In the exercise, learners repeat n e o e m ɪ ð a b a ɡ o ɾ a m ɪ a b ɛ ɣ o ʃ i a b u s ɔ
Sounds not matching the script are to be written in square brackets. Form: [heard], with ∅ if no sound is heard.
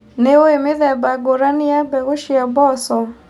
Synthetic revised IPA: n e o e m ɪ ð [ɛ] b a ɡ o ɾ a [n] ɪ a b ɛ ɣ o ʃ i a b [ɔ] s ɔ